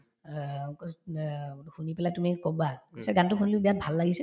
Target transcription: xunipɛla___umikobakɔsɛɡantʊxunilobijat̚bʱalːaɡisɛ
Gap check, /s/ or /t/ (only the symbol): t